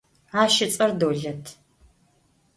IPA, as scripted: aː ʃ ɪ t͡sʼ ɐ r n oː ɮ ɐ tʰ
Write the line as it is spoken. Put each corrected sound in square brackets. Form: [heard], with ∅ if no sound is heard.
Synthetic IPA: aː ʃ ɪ t͡sʼ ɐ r [d] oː ɮ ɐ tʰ